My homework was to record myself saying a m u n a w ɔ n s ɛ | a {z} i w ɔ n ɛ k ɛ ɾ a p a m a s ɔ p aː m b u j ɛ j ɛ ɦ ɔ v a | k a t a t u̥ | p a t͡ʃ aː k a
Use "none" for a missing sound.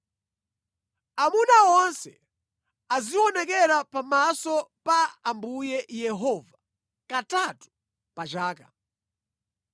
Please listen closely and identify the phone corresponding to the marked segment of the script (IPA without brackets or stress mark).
z